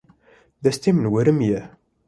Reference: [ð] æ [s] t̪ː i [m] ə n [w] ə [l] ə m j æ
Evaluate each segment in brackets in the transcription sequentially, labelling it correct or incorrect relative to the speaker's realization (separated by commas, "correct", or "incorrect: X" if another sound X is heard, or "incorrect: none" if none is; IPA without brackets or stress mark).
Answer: correct, correct, correct, correct, incorrect: ɾ